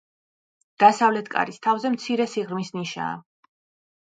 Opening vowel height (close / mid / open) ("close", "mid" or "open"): open